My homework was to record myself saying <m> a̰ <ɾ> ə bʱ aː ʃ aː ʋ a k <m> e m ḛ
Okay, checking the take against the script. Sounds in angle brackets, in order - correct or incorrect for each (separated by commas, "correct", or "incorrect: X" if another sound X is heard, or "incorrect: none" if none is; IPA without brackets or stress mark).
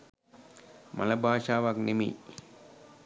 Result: correct, incorrect: l, incorrect: n